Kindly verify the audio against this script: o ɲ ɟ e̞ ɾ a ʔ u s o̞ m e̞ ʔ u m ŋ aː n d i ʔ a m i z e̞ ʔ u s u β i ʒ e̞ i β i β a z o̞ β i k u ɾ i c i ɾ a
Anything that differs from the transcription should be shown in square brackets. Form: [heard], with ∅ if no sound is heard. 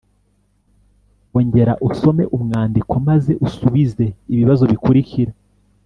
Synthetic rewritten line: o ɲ ɟ e̞ ɾ a ʔ u s o̞ m e̞ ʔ u m ŋ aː n d i [k] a m [a] z e̞ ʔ u s u β i [z] e̞ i β i β a z o̞ β i k u ɾ i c i ɾ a